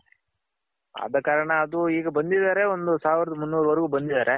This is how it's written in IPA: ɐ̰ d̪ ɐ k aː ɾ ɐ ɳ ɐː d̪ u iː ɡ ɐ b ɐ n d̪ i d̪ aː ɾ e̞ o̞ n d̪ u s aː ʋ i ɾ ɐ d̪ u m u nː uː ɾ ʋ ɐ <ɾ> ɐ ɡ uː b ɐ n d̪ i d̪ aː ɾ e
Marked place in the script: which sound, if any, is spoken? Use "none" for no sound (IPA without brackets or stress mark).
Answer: ɾ